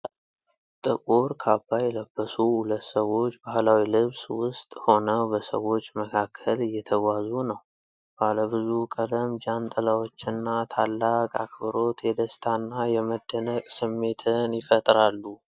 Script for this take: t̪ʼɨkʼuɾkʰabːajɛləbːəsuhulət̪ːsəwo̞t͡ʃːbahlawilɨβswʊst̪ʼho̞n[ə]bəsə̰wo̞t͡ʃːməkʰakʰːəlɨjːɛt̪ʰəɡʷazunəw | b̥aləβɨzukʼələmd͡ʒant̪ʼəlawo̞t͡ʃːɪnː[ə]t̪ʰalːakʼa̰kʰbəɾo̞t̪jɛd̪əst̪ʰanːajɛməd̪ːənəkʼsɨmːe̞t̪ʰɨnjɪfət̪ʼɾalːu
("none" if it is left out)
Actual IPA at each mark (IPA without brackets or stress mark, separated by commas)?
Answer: ə, a